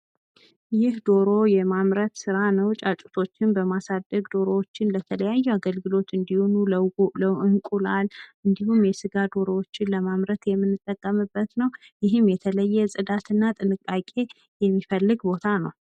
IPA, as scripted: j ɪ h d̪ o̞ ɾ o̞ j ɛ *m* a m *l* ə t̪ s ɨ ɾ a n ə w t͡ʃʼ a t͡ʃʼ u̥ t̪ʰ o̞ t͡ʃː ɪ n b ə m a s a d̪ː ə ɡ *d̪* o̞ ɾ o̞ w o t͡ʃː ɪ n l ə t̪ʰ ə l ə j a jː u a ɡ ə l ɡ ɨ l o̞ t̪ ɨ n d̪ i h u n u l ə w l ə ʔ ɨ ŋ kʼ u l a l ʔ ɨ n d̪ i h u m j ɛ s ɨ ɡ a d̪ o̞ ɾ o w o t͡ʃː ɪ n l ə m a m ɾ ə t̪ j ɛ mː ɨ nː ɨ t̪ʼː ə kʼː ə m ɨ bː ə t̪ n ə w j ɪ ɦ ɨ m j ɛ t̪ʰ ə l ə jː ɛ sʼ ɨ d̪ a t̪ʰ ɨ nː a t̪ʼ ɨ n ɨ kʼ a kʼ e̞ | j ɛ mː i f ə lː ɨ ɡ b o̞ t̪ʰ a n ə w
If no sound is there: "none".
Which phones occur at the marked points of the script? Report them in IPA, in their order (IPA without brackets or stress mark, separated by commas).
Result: m, ɾ, d̪